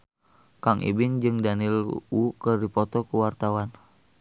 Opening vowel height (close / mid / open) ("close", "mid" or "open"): open